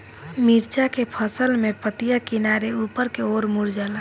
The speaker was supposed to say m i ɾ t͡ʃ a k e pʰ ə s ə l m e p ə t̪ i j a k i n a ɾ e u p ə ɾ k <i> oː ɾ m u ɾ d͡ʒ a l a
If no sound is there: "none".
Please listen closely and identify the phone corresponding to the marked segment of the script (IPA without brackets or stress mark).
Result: e